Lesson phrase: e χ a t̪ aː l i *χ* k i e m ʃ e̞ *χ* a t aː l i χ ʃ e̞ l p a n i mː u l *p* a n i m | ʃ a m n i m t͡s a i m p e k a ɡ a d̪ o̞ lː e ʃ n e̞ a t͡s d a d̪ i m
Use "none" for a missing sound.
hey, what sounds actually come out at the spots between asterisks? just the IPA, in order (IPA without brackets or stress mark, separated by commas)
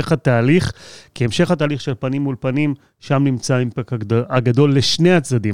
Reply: χ, χ, p